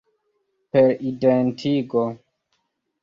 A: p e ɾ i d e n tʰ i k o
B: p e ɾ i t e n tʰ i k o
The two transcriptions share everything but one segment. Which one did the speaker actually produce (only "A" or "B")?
A